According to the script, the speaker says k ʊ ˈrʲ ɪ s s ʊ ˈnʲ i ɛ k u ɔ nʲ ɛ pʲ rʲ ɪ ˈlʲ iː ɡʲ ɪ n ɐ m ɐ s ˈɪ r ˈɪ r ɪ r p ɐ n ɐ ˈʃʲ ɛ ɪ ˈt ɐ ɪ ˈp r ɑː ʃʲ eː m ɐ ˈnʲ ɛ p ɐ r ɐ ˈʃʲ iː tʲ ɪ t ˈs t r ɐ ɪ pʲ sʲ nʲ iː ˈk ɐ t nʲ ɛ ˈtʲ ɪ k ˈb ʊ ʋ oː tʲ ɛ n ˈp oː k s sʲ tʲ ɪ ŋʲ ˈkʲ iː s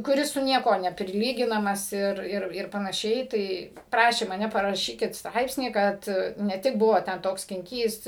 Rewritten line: k ʊ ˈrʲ ɪ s s ʊ ˈnʲ i ɛ k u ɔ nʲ ɛ pʲ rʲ ɪ ˈlʲ iː ɡʲ ɪ n ɐ m ɐ s ˈɪ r ˈɪ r ɪ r p ɐ n ɐ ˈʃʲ ɛ ɪ ˈt ɐ ɪ ˈp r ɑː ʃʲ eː m ɐ ˈnʲ ɛ p ɐ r ɐ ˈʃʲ iː kʲ ɪ t ˈs t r ɐ ɪ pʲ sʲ nʲ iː ˈk ɐ t nʲ ɛ ˈtʲ ɪ k ˈb ʊ ʋ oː tʲ ɛ n ˈt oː k s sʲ kʲ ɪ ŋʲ ˈkʲ iː s